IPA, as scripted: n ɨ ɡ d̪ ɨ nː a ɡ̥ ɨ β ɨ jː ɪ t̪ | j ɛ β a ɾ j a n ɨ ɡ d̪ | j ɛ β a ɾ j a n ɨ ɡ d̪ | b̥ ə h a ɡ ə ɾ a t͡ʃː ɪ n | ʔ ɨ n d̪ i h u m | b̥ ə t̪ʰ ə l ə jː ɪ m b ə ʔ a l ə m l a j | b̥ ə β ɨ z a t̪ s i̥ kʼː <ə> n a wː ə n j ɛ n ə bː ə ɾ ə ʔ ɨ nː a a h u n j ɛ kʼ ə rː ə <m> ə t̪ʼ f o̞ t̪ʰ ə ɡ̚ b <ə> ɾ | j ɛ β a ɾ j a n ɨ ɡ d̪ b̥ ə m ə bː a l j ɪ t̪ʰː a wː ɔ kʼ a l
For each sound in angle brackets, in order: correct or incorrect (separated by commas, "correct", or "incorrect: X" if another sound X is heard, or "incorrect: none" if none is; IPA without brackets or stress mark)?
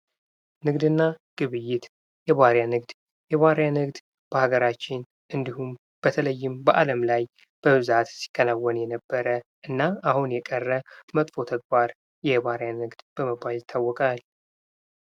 correct, correct, incorrect: a